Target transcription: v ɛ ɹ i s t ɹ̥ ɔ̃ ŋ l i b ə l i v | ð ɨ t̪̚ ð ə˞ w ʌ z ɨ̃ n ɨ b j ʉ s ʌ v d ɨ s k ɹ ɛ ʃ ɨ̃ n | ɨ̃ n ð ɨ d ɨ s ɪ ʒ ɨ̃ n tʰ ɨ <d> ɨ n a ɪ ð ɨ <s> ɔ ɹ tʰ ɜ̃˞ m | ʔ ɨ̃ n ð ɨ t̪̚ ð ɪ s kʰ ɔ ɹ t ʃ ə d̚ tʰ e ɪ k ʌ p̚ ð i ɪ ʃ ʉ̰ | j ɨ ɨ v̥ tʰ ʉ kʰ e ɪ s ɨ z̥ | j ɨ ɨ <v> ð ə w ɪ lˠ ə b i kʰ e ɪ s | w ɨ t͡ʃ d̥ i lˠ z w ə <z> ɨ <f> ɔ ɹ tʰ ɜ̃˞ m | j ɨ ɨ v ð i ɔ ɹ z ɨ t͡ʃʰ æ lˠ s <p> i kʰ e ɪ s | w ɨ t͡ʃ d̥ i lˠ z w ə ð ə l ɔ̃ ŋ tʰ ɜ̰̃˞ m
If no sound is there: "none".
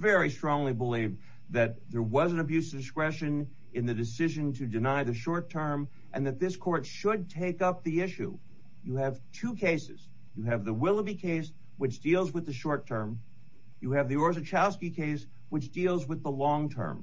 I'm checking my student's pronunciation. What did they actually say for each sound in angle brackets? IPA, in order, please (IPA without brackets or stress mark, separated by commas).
d, ʃ, v, ð, ʃ, k